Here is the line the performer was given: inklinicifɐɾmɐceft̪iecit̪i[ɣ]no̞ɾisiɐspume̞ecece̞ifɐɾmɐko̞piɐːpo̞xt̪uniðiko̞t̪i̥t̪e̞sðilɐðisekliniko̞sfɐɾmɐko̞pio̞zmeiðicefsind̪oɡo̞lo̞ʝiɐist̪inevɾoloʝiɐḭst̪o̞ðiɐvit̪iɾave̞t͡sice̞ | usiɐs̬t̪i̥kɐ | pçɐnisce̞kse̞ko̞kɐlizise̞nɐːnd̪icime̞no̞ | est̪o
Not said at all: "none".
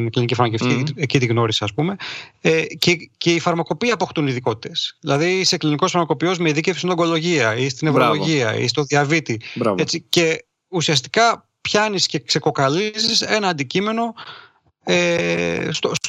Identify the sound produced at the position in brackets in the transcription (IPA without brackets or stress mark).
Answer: ɣ